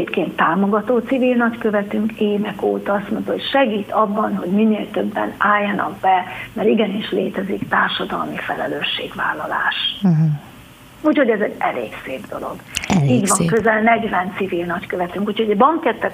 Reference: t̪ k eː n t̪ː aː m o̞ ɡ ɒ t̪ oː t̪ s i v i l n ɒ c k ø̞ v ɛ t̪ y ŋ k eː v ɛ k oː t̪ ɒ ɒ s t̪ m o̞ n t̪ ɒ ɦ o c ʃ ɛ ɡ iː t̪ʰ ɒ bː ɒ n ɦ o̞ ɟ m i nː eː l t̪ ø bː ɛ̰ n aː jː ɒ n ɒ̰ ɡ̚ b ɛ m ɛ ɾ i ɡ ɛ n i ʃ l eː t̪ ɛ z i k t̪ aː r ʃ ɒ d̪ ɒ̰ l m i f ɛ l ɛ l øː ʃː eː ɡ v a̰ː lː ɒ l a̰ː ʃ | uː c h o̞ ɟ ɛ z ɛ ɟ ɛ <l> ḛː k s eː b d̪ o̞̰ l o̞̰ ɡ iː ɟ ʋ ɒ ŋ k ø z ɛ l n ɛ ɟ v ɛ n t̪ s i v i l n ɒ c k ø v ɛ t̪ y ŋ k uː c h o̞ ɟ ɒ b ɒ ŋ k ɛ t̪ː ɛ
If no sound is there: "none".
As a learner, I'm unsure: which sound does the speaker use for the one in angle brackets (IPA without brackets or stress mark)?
l